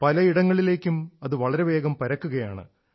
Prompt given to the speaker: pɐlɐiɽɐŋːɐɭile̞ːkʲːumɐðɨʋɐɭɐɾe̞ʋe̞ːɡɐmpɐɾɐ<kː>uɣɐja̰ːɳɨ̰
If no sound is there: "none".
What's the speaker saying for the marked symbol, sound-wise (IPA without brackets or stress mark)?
kː